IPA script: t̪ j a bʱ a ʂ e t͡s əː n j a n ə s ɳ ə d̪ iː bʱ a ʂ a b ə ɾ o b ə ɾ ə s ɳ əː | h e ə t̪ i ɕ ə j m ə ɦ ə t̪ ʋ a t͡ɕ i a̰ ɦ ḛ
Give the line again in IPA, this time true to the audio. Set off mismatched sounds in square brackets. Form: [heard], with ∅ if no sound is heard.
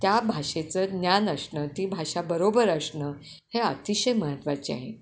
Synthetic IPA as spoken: t̪ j a bʱ a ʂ e t͡s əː n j a n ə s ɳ ə [t̪] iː bʱ a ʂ a b ə ɾ o b ə ɾ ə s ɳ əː | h e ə t̪ i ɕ ə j m ə ɦ ə t̪ ʋ a t͡ɕ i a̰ ɦ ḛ